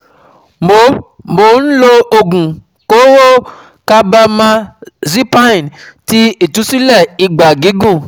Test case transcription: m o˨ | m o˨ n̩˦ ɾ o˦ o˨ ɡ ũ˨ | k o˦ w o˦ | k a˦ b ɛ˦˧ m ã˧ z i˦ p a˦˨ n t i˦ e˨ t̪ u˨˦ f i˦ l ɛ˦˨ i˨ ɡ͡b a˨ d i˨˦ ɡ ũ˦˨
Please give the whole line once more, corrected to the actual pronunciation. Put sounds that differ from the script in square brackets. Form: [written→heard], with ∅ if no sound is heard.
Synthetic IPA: m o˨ | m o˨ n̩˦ [ɾ→l] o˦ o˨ ɡ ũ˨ | k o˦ w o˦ | k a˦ b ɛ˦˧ m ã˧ z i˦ p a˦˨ n t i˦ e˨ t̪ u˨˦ [f→s] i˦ l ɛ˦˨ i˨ ɡ͡b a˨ [d→ɡ] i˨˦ ɡ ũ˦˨